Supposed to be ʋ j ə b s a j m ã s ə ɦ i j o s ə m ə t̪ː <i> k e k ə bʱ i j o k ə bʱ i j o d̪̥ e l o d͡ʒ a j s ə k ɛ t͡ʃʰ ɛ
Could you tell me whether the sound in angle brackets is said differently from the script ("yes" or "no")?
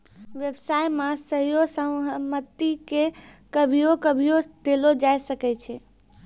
no